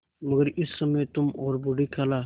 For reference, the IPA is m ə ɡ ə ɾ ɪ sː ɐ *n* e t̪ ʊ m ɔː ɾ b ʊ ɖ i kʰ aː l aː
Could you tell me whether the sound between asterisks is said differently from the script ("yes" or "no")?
yes